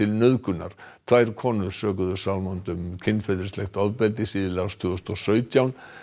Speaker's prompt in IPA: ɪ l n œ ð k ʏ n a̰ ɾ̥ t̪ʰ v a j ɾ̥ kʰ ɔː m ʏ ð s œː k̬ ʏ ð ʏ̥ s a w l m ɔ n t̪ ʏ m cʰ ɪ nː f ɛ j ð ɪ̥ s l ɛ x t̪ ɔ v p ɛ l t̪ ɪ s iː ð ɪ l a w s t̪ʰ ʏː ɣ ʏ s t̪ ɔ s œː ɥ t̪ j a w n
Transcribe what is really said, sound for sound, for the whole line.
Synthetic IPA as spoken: ɪ l n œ ð k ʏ n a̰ ɾ̥ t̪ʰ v a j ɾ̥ kʰ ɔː n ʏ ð s œː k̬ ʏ ð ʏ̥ s a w l m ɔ n t̪ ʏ m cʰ ɪ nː f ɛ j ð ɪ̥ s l ɛ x t̪ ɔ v p ɛ l t̪ ɪ s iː ð ɪ l a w s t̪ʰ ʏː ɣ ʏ s t̪ ɔ s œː ɥ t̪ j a w n

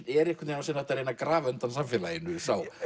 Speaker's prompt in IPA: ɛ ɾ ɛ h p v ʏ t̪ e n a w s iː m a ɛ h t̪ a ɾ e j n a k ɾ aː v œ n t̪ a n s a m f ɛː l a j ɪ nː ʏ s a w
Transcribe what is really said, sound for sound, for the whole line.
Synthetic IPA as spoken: ɛ ɾ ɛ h k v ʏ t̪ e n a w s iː n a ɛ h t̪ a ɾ e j n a k ɾ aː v œ n t̪ a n s a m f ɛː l a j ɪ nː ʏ s a w

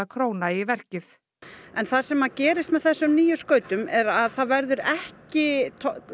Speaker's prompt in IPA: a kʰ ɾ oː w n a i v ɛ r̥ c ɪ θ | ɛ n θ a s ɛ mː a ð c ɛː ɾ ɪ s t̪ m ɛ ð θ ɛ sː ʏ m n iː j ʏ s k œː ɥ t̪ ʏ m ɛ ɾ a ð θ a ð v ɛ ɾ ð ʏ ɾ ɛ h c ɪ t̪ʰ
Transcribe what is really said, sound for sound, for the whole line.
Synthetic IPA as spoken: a kʰ ɾ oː w n a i v ɛ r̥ c ɪ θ | ɛ n θ a s ɛ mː a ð c ɛː ɾ ɪ s t̪ m ɛ ð θ ɛ sː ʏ m n iː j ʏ s k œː ɥ t̪ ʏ m ɛ ɾ a ð θ a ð v ɛ ɾ ð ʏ ɾ ɛ h c ɪ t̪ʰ

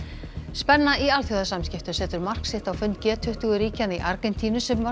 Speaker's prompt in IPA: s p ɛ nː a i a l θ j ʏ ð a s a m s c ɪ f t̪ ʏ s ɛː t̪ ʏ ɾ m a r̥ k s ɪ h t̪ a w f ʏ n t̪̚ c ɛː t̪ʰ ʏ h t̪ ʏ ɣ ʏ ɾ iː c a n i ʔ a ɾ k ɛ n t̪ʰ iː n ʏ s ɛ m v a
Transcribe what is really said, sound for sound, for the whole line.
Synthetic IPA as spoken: s p ɛ nː a i a l θ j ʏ ð a s a m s c ɪ f t̪ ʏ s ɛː t̪ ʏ ɾ m a r̥ k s ɪ h t̪ a w f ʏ n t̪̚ c ɛː t̪ʰ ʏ h t̪ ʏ ɣ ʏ ɾ iː c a n i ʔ a ɾ k ɛ n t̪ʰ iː n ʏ s ɛ m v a

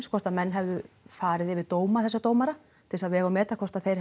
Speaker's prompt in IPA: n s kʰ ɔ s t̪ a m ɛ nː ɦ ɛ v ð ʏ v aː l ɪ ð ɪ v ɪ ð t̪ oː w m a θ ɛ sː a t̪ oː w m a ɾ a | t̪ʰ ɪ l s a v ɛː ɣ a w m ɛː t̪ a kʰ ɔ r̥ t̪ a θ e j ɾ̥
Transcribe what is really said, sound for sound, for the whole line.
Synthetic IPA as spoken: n s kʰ ɔ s t̪ a m ɛ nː ɦ ɛ v ð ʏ f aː ɾ ɪ ð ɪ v ɪ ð t̪ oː w m a θ ɛ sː a t̪ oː w m a ɾ a | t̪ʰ ɪ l s a v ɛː ɣ a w m ɛː t̪ a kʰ ɔ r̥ t̪ a θ e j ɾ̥

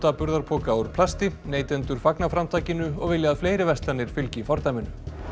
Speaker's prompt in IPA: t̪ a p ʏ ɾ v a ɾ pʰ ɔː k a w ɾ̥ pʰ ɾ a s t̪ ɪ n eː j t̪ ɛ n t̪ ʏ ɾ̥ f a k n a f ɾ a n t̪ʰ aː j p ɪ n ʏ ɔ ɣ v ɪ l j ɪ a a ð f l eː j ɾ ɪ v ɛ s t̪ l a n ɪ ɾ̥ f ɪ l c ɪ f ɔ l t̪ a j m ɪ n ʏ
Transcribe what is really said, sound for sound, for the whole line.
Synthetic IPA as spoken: t̪ a p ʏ ɾ ð a ɾ pʰ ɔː k a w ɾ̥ pʰ l a s t̪ ɪ n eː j t̪ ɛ n t̪ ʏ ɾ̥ f a k n a f ɾ a m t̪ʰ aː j c ɪ n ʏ ɔ ɣ v ɪ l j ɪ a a ð f l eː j ɾ ɪ v ɛ s t̪ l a n ɪ ɾ̥ f ɪ l c ɪ f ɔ ɾ t̪ a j m ɪ n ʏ

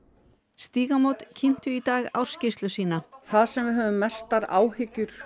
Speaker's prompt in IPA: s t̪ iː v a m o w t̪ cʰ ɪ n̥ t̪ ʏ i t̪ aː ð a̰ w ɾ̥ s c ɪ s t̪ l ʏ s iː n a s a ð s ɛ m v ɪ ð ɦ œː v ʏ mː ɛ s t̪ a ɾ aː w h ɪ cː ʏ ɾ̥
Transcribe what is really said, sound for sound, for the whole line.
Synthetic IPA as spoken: s t̪ iː ɣ a m o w t̪ cʰ ɪ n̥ t̪ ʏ i t̪ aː ɣ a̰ w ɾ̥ s c ɪ s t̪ l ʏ s iː n a θ a ð s ɛ m v ɪ ð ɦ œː v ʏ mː ɛ s t̪ a ɾ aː w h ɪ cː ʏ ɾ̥

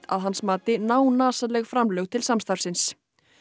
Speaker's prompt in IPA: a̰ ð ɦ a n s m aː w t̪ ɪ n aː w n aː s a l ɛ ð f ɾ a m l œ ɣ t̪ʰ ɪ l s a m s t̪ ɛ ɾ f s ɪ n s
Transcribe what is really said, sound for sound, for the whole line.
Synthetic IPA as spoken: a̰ ð ɦ a n s m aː t̪ ɪ n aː w n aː s a l ɛ ɣ f ɾ a m l œ ɣ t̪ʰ ɪ l s a m s t̪ a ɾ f s ɪ n s

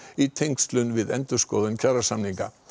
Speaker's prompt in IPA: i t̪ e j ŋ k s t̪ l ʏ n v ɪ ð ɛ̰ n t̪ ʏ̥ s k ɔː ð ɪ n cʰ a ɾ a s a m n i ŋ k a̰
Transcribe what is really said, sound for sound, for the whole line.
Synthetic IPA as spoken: i t̪ʰ e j ŋ k s t̪ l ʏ n v ɪ ð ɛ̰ n t̪ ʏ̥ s k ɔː ð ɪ n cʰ a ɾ a s a m n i ŋ k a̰

